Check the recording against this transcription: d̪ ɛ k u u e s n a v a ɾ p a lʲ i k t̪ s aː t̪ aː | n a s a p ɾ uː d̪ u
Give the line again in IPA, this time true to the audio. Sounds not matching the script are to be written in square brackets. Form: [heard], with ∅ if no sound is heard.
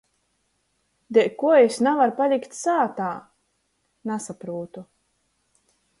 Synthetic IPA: d̪ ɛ k u [ɔ] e s n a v a ɾ p a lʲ i k t̪ s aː t̪ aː | n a s a p ɾ uː [t̪] u